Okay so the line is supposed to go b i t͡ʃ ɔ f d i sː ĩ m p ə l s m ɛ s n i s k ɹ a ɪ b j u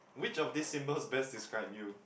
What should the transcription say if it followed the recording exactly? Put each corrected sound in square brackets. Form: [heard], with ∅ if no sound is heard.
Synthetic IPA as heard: [w] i t͡ʃ ɔ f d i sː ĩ m [b] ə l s [b] ɛ s [d] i s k ɹ a ɪ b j u